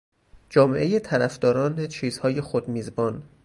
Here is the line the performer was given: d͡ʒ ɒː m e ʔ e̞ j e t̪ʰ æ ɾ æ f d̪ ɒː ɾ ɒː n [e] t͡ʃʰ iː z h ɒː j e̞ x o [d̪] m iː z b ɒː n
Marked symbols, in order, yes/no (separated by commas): yes, yes